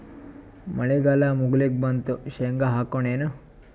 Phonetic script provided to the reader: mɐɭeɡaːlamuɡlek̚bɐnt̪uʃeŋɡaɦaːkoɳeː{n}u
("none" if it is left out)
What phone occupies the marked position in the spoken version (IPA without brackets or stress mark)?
n